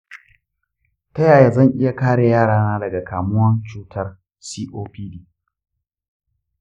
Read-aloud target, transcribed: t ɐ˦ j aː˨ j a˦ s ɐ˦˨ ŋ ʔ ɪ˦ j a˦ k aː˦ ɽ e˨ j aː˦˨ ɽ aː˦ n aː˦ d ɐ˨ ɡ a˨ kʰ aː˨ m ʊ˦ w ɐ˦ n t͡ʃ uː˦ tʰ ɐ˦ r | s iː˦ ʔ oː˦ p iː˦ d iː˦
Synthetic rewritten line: t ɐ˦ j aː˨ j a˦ z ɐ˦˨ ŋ ʔ ɪ˦ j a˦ k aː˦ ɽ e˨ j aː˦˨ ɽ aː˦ n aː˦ d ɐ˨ ɡ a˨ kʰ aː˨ m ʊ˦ w ɐ˦ n t͡ʃ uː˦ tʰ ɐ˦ r | s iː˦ ʔ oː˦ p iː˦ d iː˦